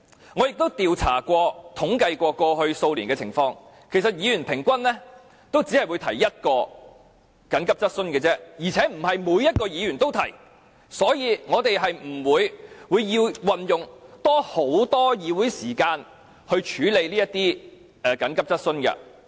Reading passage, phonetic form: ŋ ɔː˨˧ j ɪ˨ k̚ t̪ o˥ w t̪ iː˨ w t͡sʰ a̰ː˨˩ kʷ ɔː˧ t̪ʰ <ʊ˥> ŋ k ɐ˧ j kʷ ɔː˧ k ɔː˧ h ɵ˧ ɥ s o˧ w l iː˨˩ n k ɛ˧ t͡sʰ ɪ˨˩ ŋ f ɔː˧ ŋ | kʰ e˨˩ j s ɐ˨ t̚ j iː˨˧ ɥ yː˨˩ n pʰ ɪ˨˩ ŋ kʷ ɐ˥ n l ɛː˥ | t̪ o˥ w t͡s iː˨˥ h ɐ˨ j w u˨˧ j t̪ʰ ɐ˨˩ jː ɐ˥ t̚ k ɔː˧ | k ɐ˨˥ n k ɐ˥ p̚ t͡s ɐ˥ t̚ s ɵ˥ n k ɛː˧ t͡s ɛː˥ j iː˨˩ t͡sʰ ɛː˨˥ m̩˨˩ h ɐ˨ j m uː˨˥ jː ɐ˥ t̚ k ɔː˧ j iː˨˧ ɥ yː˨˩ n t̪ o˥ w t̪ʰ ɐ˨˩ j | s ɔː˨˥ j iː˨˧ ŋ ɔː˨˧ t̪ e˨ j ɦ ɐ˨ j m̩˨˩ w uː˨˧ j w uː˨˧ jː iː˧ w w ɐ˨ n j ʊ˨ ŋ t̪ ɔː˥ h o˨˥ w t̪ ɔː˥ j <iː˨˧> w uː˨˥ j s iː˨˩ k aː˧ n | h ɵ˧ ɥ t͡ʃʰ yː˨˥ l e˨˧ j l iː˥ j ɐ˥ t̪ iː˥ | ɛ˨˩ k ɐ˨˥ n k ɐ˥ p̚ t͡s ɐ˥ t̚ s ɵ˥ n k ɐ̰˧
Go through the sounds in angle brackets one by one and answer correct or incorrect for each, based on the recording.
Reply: incorrect, correct

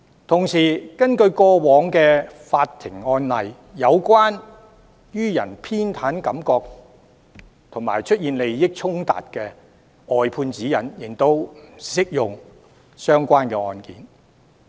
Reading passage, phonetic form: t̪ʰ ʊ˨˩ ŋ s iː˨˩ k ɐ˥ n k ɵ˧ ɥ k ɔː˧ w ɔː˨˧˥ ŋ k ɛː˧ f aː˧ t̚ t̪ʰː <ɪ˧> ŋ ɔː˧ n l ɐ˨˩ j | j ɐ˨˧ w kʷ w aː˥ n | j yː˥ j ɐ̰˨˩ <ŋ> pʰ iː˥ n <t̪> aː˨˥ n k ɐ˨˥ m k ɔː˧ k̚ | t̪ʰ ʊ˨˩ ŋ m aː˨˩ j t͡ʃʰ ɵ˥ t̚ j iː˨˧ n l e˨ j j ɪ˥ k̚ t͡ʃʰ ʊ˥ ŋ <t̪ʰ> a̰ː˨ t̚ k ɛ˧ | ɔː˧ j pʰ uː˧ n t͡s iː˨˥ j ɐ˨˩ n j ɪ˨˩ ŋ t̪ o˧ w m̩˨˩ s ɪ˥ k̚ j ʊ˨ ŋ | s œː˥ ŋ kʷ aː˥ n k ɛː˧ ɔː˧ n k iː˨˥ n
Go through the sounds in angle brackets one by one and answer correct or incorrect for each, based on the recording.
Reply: incorrect, incorrect, incorrect, incorrect

